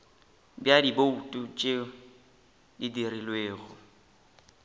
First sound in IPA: b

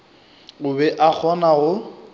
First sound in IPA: ʊ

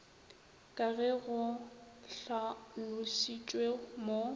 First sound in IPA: kʼ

